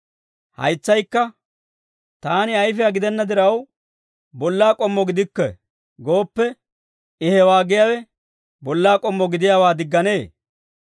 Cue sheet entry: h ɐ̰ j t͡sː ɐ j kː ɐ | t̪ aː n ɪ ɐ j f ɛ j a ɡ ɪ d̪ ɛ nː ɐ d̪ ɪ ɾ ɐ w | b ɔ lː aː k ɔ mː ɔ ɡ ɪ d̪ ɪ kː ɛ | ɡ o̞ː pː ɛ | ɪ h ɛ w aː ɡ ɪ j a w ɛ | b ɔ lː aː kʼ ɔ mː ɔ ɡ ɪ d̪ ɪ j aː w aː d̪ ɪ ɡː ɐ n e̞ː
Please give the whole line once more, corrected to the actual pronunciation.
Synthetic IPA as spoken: h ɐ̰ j t͡sː ɐ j kː ɐ | t̪ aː n ɪ ɐ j f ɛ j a ɡ ɪ d̪ ɛ nː ɐ d̪ ɪ ɾ ɐ w | b ɔ lː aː kʼ ɔ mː ɔ ɡ ɪ d̪ ɪ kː ɛ | ɡ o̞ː pː ɛ | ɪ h ɛ w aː ɡ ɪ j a w ɛ | b ɔ lː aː kʼ ɔ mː ɔ ɡ ɪ d̪ ɪ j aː w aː d̪ ɪ ɡː ɐ n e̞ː